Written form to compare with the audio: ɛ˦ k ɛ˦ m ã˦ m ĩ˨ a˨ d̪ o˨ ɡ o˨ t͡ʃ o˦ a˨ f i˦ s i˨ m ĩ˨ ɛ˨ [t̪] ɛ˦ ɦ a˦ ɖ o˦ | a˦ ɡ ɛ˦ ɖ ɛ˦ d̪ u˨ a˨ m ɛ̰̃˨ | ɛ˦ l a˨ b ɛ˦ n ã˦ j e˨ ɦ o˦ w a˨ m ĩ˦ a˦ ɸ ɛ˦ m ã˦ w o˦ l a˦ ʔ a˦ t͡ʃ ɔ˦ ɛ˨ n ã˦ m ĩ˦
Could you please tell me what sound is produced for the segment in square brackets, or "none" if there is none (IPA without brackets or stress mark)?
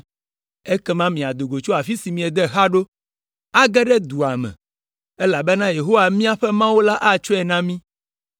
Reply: d̪